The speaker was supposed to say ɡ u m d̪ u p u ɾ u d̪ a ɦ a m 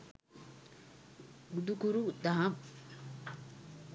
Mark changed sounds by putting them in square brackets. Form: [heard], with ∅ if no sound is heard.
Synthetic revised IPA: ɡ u [∅] d̪ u [k] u ɾ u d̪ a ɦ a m